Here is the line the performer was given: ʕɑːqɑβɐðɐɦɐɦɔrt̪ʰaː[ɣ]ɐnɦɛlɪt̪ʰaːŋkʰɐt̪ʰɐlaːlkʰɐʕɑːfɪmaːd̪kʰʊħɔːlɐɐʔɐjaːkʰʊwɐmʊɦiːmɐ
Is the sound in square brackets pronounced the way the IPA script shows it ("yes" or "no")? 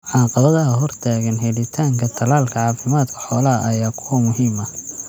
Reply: yes